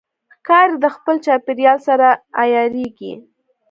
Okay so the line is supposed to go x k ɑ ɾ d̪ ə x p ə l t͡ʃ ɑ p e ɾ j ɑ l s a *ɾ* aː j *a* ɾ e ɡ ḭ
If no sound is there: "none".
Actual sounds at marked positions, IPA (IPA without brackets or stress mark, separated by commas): ɾ, ɑ